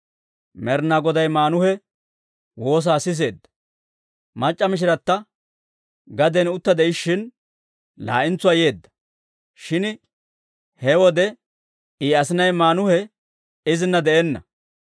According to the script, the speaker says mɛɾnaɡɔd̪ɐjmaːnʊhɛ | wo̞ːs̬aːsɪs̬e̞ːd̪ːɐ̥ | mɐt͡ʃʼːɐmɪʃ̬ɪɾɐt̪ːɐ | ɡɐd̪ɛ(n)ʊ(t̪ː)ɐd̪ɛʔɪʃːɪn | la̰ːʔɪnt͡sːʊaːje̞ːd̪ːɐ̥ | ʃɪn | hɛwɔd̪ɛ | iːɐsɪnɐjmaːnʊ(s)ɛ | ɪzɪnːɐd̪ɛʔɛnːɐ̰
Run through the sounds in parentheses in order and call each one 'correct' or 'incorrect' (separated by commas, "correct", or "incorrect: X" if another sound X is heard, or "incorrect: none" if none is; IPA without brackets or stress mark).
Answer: correct, correct, incorrect: h